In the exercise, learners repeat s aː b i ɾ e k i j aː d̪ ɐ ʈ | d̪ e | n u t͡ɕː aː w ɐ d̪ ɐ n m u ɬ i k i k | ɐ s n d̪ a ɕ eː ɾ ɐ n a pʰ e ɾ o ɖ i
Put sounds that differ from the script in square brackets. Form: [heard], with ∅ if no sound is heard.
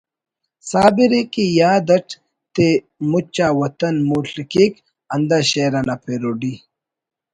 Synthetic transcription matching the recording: s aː b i ɾ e k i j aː d̪ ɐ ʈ | [t̪] e | [m] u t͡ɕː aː w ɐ [t̪] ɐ n m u ɬ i k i k | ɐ [∅] n d̪ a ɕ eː ɾ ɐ n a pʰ e ɾ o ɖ i